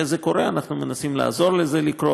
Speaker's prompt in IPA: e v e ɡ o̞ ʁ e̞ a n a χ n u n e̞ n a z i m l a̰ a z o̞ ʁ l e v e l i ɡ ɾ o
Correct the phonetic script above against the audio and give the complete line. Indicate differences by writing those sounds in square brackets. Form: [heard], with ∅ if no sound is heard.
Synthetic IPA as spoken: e [z] e [k] o̞ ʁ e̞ a n a χ n u [m] e̞ n a [s] i m l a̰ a z o̞ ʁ l e [z] e l i [k] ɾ o